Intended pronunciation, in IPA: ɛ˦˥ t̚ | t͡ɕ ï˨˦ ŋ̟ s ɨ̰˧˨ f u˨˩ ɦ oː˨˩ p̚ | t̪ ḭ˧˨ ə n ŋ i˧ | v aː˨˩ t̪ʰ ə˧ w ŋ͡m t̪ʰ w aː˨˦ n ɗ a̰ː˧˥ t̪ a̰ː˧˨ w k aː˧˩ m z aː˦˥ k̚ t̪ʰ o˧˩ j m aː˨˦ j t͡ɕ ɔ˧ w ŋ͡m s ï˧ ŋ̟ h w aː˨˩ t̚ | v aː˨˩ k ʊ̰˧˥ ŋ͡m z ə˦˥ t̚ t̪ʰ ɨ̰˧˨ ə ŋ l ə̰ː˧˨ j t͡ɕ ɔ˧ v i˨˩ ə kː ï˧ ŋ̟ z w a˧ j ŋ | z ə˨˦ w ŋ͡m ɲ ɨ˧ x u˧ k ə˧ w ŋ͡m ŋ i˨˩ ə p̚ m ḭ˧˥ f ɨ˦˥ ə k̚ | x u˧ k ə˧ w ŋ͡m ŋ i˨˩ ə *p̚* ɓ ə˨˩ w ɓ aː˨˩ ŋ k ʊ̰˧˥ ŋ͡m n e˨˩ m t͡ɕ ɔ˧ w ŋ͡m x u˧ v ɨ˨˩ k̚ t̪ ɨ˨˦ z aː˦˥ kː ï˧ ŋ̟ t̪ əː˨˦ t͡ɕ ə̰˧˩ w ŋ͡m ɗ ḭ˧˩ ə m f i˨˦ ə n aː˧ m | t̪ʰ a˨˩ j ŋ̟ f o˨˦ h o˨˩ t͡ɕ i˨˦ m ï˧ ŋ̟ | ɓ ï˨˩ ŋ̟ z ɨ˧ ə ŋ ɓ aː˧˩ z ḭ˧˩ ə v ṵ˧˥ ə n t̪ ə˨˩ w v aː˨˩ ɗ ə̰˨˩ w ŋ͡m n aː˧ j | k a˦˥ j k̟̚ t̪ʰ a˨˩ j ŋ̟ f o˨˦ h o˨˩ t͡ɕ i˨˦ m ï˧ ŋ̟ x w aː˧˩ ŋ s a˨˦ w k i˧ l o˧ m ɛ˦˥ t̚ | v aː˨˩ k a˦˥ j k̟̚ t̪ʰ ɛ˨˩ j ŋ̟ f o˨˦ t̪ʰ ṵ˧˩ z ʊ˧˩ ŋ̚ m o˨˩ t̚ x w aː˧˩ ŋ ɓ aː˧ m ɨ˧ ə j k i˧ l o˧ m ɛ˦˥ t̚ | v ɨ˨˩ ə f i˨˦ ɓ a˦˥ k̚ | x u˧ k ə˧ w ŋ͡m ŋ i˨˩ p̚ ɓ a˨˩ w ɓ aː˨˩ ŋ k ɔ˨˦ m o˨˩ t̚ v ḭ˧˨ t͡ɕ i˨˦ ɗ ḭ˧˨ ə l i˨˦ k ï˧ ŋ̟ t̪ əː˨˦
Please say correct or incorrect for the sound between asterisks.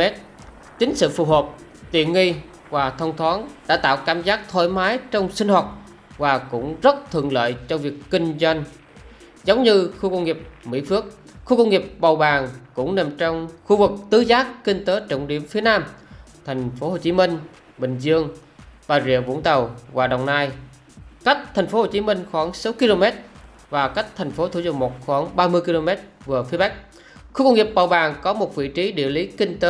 correct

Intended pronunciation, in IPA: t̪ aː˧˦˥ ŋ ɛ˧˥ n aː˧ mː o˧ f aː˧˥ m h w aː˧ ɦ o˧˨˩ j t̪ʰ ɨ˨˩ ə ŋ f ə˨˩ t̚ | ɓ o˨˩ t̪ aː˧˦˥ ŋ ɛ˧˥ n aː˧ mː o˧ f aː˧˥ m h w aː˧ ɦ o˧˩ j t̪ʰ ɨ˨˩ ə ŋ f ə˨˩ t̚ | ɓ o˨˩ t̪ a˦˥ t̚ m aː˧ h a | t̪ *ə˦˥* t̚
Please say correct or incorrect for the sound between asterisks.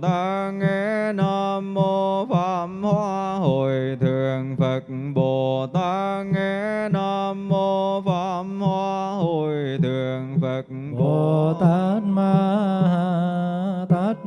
incorrect: a˦˥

